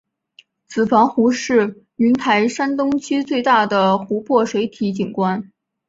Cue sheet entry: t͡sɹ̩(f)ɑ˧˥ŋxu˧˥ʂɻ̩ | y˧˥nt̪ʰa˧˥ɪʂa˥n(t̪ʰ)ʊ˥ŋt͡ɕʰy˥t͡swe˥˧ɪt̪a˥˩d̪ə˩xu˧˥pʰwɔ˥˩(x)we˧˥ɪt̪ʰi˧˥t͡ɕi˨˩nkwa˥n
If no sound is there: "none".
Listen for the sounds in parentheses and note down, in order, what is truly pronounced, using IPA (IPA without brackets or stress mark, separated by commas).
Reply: f, t̪, ʂ